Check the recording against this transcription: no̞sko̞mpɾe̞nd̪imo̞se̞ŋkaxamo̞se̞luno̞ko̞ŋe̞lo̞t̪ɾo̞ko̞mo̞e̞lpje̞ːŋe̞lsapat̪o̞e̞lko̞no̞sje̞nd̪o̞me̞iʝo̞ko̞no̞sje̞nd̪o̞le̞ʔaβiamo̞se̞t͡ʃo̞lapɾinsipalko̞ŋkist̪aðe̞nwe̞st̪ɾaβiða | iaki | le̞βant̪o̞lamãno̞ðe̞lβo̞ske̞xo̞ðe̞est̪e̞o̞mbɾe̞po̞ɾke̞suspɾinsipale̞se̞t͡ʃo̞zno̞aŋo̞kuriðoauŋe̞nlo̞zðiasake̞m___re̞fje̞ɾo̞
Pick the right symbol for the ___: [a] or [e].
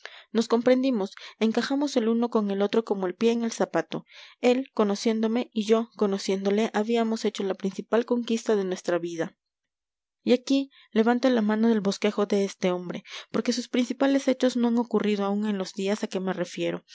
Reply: e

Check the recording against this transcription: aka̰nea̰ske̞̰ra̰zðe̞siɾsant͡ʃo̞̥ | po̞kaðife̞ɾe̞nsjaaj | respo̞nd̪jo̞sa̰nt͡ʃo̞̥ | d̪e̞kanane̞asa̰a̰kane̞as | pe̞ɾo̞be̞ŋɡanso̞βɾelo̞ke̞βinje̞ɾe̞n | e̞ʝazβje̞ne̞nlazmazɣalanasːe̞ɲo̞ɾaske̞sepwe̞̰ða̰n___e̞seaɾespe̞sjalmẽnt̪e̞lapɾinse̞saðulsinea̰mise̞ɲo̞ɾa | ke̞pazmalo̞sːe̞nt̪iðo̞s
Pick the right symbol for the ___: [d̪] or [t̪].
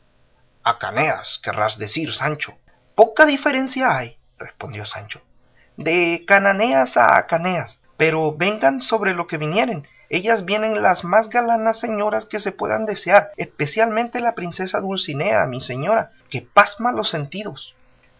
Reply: d̪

